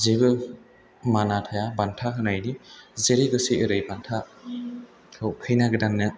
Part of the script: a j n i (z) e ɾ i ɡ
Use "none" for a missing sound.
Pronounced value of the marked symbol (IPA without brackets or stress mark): z